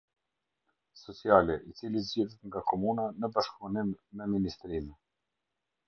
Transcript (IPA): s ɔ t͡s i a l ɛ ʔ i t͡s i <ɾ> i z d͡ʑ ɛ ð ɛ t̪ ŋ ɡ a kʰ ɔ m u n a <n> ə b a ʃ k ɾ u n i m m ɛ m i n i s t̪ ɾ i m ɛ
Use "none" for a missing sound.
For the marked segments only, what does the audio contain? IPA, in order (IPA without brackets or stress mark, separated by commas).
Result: l, n